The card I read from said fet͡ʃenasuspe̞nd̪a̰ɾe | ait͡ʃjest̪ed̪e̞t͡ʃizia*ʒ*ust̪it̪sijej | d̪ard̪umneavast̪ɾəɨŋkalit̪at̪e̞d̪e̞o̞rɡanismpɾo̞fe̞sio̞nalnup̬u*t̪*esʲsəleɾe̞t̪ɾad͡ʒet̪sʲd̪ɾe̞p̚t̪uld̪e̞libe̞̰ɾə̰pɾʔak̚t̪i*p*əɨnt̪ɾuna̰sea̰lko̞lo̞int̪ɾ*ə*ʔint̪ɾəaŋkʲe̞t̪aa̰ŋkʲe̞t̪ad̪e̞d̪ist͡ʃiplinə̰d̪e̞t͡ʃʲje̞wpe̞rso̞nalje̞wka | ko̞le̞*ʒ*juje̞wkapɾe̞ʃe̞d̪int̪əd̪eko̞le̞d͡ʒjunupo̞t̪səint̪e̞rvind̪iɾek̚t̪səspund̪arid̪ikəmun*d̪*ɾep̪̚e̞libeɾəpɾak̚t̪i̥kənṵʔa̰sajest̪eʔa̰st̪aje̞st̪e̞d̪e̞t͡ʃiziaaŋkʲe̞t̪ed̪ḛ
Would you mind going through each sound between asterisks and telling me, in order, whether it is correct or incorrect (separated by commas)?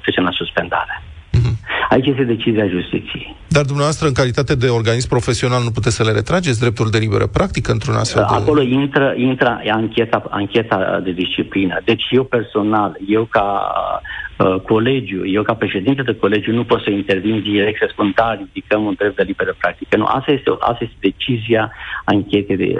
correct, correct, incorrect, correct, incorrect, correct